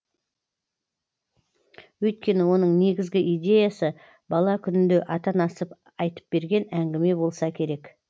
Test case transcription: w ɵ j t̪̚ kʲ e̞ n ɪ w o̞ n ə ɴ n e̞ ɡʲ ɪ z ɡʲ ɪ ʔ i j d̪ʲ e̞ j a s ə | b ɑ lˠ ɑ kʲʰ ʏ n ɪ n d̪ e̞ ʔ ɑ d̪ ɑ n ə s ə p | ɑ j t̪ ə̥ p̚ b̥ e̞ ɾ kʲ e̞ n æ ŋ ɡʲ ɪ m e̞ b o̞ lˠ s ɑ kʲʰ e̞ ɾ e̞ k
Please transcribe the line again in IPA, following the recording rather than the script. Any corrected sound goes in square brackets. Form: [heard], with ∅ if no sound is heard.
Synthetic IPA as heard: w ɵ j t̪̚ kʲ e̞ n ɪ w o̞ n ə ɴ n e̞ ɡʲ ɪ z ɡʲ ɪ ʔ i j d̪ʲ e̞ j a s ə | b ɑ lˠ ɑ kʲʰ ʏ n ɪ n d̪ e̞ ʔ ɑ [t̪] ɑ n [ɑ] s ə p | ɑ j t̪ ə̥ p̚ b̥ e̞ ɾ [ɡʲ] e̞ n æ ŋ ɡʲ ɪ m e̞ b o̞ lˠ s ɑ kʲʰ e̞ ɾ e̞ k

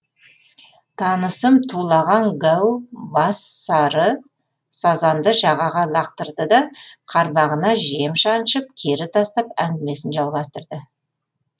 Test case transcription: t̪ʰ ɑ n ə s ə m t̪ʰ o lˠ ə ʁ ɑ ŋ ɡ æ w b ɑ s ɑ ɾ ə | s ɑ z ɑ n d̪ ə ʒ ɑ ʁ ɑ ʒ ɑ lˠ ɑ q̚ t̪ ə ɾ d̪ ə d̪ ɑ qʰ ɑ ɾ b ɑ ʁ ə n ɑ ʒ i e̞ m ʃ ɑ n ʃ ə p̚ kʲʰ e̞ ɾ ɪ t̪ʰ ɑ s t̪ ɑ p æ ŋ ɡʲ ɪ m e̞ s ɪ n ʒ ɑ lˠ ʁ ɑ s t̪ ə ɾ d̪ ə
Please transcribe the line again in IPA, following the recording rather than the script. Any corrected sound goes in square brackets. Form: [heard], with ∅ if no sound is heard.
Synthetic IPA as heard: t̪ʰ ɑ n ə s ə m t̪ʰ [u] lˠ [ɑ] ʁ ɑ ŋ ɡ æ w b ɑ s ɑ ɾ ə | s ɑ z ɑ n d̪ ə ʒ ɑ ʁ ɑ [ʁ] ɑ lˠ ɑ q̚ t̪ ə ɾ d̪ ə d̪ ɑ qʰ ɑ ɾ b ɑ ʁ ə n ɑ ʒ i e̞ m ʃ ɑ n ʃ ə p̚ kʲʰ e̞ ɾ ɪ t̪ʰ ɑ s t̪ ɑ p æ ŋ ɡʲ ɪ m e̞ s ɪ n ʒ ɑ lˠ ʁ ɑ s t̪ ə ɾ d̪ ə

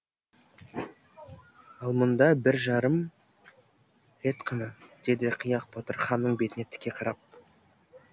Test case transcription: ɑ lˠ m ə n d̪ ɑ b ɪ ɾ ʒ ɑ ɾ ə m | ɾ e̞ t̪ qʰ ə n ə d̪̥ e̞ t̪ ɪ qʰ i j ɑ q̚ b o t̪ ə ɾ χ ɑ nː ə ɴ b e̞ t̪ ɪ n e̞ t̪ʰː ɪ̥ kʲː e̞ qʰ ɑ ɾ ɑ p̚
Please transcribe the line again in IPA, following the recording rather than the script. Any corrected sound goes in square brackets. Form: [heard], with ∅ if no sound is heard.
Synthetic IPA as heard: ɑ lˠ m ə n d̪ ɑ b ɪ ɾ ʒ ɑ ɾ ə m | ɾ e̞ t̪ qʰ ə n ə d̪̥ e̞ [d̪] ɪ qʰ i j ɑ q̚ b o t̪ ə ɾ χ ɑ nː ə ɴ b e̞ t̪ ɪ n e̞ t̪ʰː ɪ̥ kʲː e̞ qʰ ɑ ɾ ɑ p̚

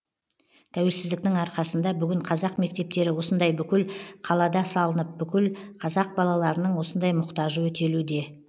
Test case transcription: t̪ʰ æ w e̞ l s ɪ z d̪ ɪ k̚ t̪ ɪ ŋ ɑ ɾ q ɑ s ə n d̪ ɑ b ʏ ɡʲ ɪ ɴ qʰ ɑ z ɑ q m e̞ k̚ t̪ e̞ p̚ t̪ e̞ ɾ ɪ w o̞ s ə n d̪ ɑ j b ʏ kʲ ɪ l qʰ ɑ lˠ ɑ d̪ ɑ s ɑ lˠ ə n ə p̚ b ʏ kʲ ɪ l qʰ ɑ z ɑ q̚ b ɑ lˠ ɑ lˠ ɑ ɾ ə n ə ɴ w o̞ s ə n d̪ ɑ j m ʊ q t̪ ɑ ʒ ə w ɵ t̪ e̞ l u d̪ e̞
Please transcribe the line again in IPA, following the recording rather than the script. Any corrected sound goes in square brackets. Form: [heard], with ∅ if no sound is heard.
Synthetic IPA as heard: t̪ʰ æ w e̞ l s ɪ z d̪ ɪ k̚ t̪ ɪ ŋ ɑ ɾ q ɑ s ə n d̪ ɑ b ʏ ɡʲ ɪ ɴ qʰ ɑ z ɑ q m e̞ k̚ t̪ e̞ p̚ t̪ e̞ ɾ ɪ w o̞ s ə n d̪ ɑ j b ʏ kʲ ɪ l qʰ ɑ lˠ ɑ d̪ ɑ s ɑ lˠ ə n ə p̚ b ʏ kʲ ɪ l qʰ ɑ z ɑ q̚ b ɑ lˠ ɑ lˠ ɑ ɾ ə n ə ɴ w o̞ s ə n d̪ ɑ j m ʊ q t̪ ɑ ʒ ə w ɵ t̪ e̞ l u d̪ e̞

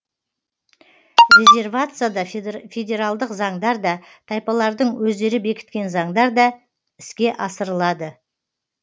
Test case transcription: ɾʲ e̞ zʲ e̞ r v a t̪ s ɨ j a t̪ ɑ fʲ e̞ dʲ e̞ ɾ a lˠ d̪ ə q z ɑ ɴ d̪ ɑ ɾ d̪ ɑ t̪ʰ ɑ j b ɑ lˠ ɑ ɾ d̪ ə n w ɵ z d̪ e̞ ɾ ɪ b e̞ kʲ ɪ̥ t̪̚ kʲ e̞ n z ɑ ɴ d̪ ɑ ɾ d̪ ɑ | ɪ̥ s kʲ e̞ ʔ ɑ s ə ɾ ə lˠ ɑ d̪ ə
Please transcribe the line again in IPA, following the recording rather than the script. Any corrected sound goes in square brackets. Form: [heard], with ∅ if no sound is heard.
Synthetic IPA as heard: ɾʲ e̞ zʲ e̞ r v a t̪ s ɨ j a [d̪] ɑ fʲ e̞ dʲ e̞ ɾ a lˠ d̪ ə q z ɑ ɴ d̪ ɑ ɾ d̪ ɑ t̪ʰ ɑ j [p] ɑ lˠ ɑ ɾ d̪ ə [ɴ] w ɵ z d̪ e̞ ɾ ɪ b e̞ kʲ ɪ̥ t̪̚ kʲ e̞ n z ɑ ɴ d̪ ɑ ɾ d̪ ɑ | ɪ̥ s kʲ e̞ ʔ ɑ s ə ɾ ə lˠ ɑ d̪ ə

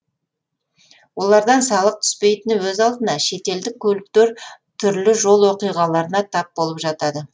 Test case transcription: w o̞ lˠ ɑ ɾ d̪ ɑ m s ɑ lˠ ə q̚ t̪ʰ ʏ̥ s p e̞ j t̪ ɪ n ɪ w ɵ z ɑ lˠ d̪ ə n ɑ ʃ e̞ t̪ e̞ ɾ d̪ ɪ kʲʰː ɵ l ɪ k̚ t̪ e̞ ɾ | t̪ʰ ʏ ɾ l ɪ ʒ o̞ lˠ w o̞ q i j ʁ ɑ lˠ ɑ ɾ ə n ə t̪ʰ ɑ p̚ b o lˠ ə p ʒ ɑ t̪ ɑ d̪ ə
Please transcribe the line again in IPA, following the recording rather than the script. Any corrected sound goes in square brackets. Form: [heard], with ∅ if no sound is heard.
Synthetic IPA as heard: w o̞ lˠ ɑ ɾ d̪ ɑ [n] s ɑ lˠ ə q̚ t̪ʰ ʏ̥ s p e̞ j t̪ ɪ n ɪ w ɵ z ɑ lˠ d̪ ə n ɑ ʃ e̞ t̪ e̞ [l] d̪ ɪ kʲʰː ɵ l ɪ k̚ t̪ e̞ ɾ | t̪ʰ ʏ ɾ l ɪ ʒ o̞ lˠ w o̞ q i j ʁ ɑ lˠ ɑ ɾ ə n [ɑ] t̪ʰ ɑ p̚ b o lˠ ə p ʒ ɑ t̪ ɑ d̪ ə

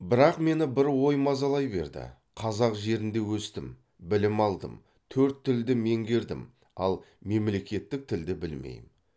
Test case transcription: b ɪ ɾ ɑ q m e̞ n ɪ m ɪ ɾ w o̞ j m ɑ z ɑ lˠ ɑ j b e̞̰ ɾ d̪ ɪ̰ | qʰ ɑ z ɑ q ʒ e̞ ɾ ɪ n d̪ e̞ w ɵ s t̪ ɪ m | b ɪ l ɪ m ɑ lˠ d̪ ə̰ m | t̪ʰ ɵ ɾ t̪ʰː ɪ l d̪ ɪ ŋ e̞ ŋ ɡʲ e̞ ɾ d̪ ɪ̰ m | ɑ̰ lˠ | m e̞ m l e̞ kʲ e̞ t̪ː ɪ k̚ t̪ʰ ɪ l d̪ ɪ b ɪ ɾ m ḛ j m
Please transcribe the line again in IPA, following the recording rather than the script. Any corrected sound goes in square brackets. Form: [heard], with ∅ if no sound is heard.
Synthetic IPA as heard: b ɪ ɾ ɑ q m e̞ n ɪ [b] ɪ ɾ w o̞ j m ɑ z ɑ lˠ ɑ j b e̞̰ ɾ d̪ ɪ̰ | qʰ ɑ z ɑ q ʒ e̞ ɾ ɪ n d̪ e̞ w ɵ s t̪ ɪ m | b ɪ l ɪ m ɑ lˠ d̪ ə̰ m | t̪ʰ ɵ ɾ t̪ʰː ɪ l d̪ ɪ [m] e̞ ŋ ɡʲ e̞ ɾ d̪ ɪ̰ m | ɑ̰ lˠ | m e̞ m l e̞ kʲ e̞ t̪ː ɪ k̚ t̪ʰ ɪ l d̪ ɪ b ɪ [l] m ḛ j m

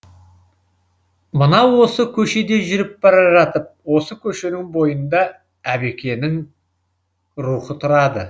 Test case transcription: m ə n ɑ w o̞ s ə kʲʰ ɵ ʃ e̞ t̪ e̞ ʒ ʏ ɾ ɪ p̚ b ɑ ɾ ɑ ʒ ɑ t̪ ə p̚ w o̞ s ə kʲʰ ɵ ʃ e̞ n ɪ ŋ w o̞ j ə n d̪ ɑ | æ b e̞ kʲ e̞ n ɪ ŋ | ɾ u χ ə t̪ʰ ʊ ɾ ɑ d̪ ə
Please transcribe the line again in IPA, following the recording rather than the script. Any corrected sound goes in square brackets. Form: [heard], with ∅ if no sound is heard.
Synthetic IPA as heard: m ə n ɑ w o̞ s ə kʲʰ ɵ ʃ e̞ [d̪] e̞ ʒ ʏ ɾ ɪ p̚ b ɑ ɾ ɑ ʒ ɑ t̪ ə p̚ w o̞ s ə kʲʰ ɵ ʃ e̞ n ɪ ŋ [b] o̞ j ə n d̪ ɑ | æ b e̞ kʲ e̞ n ɪ ŋ | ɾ u χ ə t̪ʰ ʊ ɾ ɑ d̪ ə

